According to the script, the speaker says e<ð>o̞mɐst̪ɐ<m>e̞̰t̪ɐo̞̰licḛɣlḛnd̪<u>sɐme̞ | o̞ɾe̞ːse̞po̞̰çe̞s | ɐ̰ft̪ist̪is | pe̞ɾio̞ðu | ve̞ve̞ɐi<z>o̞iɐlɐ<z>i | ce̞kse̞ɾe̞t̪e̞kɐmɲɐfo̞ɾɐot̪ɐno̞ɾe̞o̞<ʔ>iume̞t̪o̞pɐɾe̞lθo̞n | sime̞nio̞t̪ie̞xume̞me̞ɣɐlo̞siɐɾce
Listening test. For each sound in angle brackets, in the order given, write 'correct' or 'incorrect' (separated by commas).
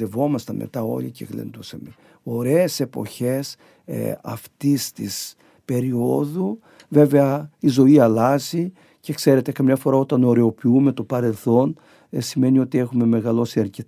incorrect, correct, correct, correct, correct, incorrect